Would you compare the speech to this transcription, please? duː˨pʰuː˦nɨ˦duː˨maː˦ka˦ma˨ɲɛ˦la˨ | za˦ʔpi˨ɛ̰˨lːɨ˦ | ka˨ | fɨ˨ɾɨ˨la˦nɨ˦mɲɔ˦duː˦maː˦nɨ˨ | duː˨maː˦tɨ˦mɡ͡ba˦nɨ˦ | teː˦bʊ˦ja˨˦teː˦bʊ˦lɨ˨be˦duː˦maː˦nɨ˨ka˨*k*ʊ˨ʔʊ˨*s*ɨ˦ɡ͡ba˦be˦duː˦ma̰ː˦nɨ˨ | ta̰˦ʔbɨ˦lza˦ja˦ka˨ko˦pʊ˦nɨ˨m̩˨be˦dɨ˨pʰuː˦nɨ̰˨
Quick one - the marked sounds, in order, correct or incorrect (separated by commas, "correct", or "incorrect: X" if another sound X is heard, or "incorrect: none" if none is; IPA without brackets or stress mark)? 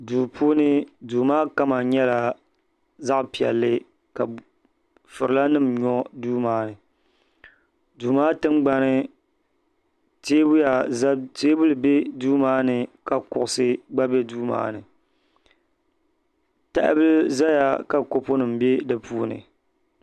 correct, correct